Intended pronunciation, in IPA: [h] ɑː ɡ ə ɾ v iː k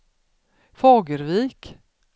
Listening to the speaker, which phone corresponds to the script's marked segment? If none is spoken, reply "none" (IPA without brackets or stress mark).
f